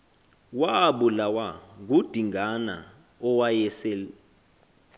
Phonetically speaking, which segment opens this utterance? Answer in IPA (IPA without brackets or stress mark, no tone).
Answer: w